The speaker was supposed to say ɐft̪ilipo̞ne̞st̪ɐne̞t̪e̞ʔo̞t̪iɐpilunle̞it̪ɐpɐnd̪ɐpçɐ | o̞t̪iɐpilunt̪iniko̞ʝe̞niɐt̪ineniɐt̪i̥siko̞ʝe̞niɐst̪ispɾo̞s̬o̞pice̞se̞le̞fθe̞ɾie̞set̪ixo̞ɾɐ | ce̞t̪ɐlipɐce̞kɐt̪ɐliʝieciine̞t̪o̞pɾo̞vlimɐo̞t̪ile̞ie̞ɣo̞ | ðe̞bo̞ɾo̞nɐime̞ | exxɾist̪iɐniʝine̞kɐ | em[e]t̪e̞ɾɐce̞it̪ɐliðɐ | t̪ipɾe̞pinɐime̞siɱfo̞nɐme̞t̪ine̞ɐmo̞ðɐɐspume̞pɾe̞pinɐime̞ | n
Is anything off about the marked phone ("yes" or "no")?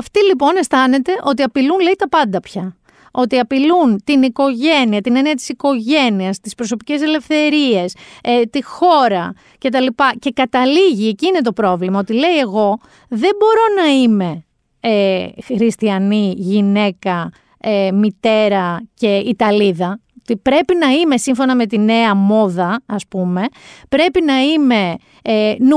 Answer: yes